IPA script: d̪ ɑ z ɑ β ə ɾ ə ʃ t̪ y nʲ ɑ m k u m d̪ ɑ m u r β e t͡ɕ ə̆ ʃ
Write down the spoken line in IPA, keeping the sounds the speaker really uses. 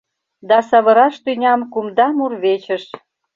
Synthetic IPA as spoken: d̪ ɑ s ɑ β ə ɾ ɑ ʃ t̪ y nʲ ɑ m k u m d̪ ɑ m u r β e t͡ɕ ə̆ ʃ